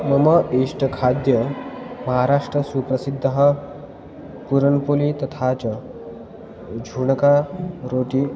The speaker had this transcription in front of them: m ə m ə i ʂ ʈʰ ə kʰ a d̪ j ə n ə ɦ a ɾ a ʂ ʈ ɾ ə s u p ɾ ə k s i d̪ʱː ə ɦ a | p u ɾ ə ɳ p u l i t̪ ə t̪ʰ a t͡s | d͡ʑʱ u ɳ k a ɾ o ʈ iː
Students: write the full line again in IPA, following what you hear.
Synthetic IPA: m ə m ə i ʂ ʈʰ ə kʰ a d̪ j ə m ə ɦ a ɾ a ʂ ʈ ɾ ə s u p ɾ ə s i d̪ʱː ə ɦ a | p u ɾ ə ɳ p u l i t̪ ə t̪ʰ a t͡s | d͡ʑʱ u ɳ k a ɾ o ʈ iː

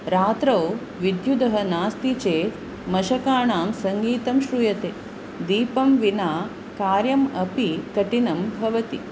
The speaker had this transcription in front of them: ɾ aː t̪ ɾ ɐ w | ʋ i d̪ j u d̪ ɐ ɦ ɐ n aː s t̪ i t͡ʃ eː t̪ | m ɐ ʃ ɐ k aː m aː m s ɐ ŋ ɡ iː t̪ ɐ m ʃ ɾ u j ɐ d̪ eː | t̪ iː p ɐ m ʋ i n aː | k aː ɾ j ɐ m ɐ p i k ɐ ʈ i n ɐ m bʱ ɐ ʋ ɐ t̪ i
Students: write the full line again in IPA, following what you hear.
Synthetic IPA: ɾ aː t̪ ɾ ɐ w | ʋ i d̪ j u d̪ ɐ ɦ ɐ n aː s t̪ i t͡ʃ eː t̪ | m ɐ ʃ ɐ k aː ɳ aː m s ɐ ŋ ɡ iː t̪ ɐ m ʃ ɾ u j ɐ t̪ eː | d̪ iː p ɐ m ʋ i n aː | k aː ɾ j ɐ m ɐ p i k ɐ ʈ i n ɐ m bʱ ɐ ʋ ɐ t̪ i

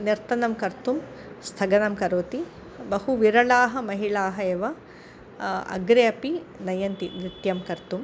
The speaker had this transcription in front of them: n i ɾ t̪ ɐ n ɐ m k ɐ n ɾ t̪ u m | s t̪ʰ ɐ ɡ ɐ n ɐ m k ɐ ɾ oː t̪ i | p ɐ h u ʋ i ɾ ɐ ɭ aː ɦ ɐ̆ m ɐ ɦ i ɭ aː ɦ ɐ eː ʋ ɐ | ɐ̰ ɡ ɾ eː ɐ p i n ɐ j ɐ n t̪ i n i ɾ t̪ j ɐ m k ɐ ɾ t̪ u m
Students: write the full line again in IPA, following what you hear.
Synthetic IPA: n i ɾ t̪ ɐ n ɐ m k ɐ ɾ t̪ u m | s t̪ʰ ɐ ɡ ɐ n ɐ m k ɐ ɾ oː t̪ i | b ɐ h u ʋ i ɾ ɐ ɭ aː ɦ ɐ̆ m ɐ ɦ i ɭ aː ɦ ɐ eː ʋ ɐ | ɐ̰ ɡ ɾ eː ɐ p i n ɐ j ɐ n t̪ i n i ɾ t̪ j ɐ m k ɐ ɾ t̪ u m

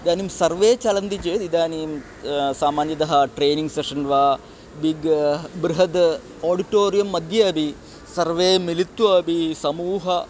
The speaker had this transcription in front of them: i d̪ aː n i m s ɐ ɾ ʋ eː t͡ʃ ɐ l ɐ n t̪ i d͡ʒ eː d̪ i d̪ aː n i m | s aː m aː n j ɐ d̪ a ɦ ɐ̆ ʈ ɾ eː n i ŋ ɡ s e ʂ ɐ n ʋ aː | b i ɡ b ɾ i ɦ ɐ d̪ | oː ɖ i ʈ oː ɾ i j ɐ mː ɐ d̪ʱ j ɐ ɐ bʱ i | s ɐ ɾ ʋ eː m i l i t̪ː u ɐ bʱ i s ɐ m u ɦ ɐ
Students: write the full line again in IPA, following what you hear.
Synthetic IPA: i d̪ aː n i m s ɐ ɾ ʋ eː t͡ʃ ɐ l ɐ n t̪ i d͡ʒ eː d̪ i d̪ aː n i m | s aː m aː n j ɐ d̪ ɐ ɦ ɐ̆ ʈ ɾ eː n i ŋ ɡ s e ʂ ɐ n ʋ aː | b i ɡ b ɾ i ɦ ɐ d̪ | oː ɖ i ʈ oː ɾ i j ɐ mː ɐ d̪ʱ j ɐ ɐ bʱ i | s ɐ ɾ ʋ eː m i l i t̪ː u ɐ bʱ i s ɐ m uː ɦ ɐ

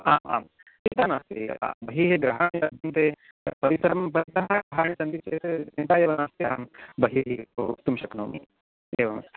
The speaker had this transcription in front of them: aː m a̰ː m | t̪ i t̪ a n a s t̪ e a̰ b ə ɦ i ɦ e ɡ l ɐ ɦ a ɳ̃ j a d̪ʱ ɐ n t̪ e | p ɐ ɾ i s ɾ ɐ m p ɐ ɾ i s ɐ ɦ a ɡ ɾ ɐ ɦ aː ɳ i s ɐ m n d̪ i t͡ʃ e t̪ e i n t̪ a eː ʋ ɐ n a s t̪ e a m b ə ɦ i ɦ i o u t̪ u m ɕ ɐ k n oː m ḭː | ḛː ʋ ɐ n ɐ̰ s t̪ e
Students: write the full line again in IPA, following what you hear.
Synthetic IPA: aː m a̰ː m | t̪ i t̪ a n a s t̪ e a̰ b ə ɦ i ɦ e ɡ ɾ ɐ ɦ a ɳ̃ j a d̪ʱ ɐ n t̪ e | p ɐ ɾ i s ɾ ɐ m p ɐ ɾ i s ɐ ɦ a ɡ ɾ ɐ ɦ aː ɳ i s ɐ n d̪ i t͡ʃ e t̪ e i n t̪ a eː ʋ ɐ n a s t̪ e a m b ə ɦ i ɦ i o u t̪ u m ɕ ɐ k n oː m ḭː | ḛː ʋ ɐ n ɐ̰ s t̪ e

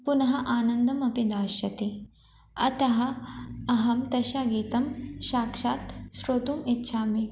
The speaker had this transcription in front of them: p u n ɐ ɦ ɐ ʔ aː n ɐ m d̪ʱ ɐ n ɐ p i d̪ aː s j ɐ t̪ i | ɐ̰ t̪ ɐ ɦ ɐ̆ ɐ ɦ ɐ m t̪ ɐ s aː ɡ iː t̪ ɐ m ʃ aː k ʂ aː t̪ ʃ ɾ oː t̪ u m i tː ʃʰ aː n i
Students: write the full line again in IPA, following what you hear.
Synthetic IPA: p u n ɐ ɦ ɐ ʔ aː n ɐ n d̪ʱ ɐ m ɐ p i d̪ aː ʃ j ɐ t̪ i | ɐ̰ t̪ ɐ ɦ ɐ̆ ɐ ɦ ɐ m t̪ ɐ ʃ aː ɡ iː t̪ ɐ m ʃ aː k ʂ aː t̪ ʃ ɾ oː t̪ u m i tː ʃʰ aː m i

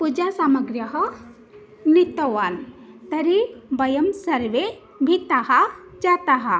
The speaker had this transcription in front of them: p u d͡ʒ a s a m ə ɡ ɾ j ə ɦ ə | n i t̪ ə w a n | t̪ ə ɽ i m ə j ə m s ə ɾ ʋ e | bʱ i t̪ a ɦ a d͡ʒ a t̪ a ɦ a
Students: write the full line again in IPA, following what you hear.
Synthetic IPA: p u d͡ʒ a s a m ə ɡ ɾ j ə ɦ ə | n i t̪ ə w a n | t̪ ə ɾ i b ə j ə m s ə ɾ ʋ e | bʱ i t̪ a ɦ a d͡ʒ a t̪ a ɦ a

